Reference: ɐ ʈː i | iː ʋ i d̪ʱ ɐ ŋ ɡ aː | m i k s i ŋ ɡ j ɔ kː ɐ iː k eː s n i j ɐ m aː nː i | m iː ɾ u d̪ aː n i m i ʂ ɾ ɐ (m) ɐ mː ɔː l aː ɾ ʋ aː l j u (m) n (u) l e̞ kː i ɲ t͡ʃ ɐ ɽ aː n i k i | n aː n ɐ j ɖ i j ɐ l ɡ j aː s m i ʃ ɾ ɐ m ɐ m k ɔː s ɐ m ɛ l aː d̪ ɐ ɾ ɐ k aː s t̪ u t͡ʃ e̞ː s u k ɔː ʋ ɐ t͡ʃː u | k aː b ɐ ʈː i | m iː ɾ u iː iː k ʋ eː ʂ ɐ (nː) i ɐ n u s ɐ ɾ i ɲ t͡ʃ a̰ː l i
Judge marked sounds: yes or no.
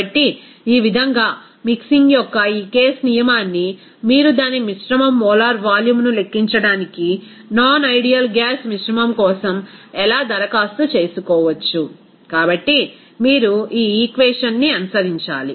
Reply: yes, yes, yes, yes

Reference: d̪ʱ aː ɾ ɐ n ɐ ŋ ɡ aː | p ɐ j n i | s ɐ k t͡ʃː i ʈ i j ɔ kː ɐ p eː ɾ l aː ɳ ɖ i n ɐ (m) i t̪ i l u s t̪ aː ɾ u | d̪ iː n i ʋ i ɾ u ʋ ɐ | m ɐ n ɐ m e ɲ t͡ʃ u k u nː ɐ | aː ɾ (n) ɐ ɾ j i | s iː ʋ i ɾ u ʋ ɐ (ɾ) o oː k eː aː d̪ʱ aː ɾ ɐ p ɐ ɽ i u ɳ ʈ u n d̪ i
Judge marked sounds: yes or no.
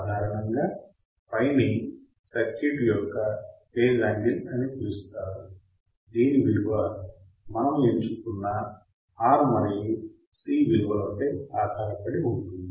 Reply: no, no, no

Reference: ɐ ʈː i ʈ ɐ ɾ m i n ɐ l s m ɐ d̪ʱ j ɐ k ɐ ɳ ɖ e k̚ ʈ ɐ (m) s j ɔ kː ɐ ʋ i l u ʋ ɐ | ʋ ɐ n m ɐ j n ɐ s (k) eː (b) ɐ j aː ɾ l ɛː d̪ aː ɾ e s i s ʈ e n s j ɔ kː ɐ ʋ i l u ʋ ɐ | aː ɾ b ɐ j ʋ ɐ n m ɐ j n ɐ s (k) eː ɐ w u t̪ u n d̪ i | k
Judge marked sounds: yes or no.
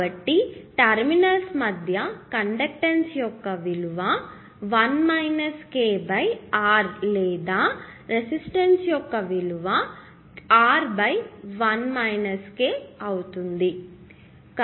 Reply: no, yes, yes, yes

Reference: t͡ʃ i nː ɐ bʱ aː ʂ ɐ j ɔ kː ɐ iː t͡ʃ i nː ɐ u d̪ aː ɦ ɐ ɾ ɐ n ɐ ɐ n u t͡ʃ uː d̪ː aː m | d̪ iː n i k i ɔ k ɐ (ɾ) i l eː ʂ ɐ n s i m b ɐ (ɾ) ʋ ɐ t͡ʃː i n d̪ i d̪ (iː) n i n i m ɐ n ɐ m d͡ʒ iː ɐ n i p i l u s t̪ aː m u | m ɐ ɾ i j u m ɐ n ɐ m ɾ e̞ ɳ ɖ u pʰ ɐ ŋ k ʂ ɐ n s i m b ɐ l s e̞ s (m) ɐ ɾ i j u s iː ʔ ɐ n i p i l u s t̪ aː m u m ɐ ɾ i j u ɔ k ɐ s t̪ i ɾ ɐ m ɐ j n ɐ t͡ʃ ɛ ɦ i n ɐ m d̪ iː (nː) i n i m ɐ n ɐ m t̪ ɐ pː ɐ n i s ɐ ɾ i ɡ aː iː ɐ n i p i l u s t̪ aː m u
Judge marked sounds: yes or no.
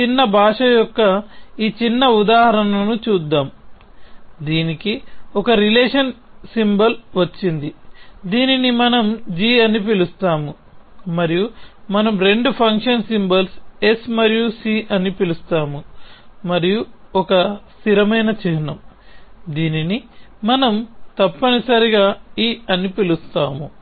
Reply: yes, no, yes, yes, no

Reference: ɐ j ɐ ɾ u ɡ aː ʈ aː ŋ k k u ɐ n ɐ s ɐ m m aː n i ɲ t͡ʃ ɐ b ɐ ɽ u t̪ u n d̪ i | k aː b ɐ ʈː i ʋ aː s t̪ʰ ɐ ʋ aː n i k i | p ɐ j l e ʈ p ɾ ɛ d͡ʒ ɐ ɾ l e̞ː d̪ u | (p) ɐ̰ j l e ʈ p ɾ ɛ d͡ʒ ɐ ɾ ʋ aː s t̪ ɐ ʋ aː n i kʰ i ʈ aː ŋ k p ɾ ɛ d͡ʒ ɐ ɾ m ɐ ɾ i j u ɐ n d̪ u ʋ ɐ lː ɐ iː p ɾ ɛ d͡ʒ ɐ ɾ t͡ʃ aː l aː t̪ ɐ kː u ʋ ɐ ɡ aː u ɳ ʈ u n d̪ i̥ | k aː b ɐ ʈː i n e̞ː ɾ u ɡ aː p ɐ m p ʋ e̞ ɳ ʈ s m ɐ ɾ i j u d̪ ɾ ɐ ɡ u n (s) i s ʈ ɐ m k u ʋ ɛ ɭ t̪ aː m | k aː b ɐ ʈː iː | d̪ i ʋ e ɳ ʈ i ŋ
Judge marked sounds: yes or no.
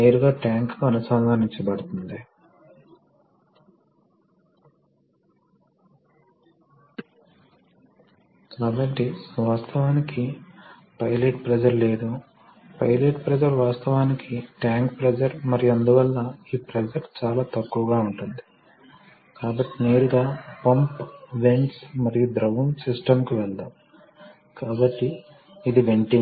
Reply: yes, yes

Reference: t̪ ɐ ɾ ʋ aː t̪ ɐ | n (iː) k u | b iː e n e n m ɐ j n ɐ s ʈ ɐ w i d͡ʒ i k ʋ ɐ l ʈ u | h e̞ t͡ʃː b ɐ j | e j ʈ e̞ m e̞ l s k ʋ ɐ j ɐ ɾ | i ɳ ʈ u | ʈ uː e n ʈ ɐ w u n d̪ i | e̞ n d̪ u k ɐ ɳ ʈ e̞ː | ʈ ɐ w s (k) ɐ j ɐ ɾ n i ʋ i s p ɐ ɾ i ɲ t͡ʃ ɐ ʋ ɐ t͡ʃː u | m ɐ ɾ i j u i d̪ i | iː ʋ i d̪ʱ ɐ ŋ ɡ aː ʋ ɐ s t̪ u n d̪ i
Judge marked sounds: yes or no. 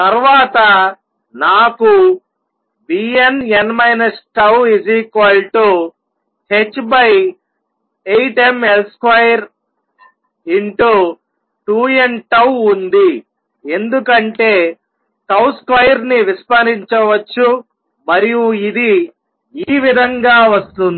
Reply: no, yes

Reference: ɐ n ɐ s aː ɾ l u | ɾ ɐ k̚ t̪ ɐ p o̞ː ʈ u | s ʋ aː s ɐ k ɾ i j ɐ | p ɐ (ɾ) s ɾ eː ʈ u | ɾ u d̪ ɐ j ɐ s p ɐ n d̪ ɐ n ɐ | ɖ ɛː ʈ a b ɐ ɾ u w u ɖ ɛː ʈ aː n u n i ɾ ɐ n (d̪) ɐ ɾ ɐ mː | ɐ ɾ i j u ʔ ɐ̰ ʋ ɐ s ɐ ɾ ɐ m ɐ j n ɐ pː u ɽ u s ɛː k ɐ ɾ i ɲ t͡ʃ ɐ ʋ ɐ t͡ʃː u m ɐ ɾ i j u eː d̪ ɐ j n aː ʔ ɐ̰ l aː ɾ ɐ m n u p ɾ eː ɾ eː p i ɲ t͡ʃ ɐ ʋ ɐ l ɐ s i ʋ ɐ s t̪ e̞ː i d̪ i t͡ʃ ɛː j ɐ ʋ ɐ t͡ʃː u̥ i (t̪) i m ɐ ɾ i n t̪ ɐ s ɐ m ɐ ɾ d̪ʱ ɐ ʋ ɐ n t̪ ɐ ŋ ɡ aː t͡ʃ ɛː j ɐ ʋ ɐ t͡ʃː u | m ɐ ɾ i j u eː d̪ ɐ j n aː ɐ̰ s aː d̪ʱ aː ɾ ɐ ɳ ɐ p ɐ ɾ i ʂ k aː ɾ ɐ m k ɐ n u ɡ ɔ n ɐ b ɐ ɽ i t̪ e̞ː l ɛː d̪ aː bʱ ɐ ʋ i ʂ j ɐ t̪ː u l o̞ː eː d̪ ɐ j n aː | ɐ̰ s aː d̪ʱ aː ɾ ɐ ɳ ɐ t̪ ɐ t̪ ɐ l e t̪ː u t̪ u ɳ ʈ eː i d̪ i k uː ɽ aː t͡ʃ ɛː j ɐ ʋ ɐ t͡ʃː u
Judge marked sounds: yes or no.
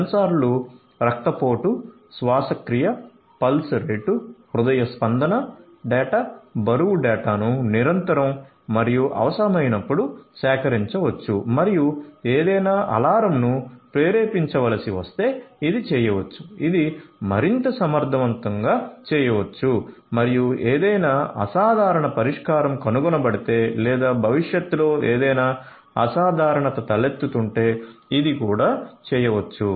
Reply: no, no, no

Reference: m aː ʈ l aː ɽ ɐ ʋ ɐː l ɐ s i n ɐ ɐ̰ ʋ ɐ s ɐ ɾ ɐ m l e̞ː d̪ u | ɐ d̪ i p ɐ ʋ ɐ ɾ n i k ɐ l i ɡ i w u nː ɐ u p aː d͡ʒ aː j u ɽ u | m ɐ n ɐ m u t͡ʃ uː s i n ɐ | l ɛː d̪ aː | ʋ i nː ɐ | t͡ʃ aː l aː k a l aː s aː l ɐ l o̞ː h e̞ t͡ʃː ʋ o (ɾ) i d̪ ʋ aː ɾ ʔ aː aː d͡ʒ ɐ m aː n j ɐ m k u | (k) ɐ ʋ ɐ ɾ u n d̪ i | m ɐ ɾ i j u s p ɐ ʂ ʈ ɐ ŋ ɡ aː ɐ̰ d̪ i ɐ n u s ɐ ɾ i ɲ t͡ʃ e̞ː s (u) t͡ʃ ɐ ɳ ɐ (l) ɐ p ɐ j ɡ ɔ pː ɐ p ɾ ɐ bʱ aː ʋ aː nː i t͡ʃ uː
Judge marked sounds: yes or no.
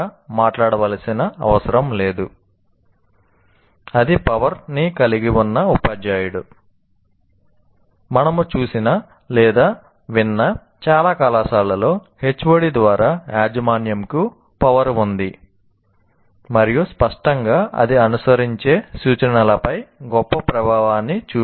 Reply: no, no, no, yes

